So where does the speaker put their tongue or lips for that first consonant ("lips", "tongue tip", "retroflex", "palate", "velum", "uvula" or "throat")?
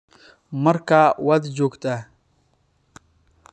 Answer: lips